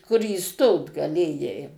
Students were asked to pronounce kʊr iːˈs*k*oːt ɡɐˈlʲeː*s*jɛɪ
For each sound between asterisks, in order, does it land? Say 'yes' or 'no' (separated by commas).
no, no